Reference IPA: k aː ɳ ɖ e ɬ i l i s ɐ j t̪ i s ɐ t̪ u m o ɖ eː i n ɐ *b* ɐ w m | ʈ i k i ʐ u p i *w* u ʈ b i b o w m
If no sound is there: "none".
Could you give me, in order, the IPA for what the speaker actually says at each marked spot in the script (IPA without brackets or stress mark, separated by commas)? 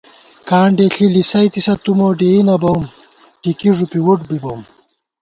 b, w